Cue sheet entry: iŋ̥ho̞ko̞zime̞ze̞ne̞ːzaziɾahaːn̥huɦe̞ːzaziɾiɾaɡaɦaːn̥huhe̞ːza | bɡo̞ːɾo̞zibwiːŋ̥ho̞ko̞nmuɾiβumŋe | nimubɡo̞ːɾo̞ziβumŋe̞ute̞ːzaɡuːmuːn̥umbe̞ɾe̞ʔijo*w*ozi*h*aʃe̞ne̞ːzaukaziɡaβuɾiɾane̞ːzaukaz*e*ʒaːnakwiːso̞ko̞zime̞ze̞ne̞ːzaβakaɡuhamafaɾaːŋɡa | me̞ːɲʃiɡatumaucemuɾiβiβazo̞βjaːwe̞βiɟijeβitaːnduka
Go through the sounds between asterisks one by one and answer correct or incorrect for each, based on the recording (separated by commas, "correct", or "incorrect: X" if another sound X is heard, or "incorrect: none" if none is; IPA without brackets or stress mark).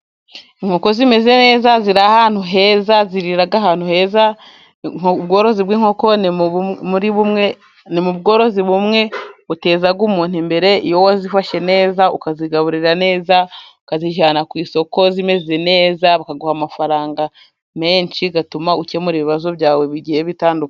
correct, incorrect: f, incorrect: i